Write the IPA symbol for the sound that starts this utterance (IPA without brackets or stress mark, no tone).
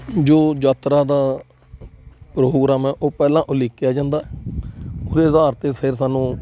d͡ʒ